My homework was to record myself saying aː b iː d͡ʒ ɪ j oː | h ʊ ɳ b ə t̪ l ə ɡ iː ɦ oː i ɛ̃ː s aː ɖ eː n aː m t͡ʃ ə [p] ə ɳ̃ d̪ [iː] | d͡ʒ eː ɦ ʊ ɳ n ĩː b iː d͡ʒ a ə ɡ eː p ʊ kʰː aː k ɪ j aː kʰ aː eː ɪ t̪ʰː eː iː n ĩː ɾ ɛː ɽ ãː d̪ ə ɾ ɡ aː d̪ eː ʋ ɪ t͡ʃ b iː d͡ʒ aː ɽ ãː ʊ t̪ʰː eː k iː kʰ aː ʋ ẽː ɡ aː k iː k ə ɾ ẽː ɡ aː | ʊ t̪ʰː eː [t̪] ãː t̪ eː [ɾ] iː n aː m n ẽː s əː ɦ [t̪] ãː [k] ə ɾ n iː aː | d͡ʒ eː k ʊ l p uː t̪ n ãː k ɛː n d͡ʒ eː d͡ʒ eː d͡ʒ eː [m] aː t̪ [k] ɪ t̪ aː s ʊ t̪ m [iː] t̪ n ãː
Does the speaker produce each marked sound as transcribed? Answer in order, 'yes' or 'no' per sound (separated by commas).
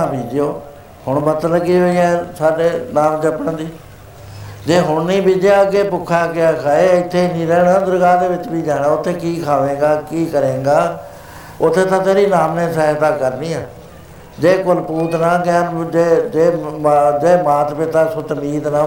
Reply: yes, yes, yes, yes, yes, yes, yes, no, yes